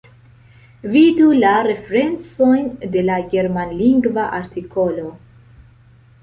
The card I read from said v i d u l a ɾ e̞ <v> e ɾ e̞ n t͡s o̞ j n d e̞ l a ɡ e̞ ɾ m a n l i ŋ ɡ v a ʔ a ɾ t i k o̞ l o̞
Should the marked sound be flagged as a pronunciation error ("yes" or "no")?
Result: yes